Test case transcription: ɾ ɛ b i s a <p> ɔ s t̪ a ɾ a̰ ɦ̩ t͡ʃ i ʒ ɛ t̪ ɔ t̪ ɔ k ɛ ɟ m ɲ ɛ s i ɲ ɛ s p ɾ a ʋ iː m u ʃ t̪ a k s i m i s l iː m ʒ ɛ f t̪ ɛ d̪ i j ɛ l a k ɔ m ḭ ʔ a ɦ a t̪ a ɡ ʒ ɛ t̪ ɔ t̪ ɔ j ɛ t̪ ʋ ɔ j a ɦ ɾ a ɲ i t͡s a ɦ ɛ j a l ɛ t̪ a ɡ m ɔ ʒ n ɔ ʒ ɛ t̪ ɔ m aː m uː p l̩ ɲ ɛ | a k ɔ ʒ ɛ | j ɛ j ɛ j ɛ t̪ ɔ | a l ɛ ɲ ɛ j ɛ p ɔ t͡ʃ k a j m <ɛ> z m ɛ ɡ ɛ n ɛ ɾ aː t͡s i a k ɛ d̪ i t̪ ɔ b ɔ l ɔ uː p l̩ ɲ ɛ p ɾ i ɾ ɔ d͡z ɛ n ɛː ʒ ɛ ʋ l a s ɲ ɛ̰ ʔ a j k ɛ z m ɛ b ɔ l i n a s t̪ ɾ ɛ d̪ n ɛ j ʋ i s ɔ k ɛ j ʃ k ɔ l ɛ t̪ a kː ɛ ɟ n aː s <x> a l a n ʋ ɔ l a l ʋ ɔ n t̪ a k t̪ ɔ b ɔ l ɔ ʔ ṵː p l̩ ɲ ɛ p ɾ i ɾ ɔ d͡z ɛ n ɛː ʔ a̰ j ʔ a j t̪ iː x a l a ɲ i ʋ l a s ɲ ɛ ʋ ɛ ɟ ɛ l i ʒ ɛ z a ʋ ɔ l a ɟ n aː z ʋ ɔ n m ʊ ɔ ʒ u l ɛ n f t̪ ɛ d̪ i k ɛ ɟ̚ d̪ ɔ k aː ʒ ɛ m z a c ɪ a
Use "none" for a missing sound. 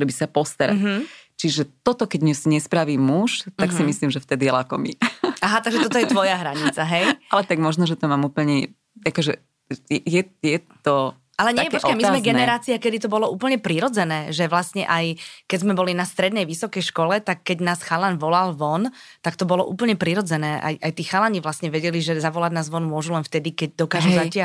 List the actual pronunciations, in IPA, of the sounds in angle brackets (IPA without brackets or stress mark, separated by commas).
p, i, x